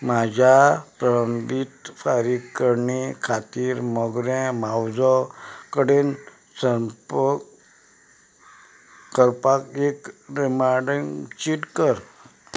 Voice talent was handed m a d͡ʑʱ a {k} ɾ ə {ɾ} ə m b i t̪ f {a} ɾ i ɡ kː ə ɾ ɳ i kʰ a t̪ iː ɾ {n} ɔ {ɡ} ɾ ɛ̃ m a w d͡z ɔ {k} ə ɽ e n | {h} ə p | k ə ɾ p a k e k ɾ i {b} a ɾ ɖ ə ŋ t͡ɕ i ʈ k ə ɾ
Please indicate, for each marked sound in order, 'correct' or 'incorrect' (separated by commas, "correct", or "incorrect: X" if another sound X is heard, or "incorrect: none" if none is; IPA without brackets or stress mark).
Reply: incorrect: p, correct, correct, incorrect: m, correct, correct, incorrect: s, incorrect: m